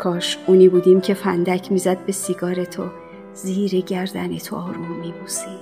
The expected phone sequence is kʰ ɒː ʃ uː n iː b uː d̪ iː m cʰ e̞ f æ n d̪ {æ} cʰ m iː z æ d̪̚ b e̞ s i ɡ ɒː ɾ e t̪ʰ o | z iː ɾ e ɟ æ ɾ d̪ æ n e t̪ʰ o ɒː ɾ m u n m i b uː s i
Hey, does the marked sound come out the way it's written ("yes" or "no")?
yes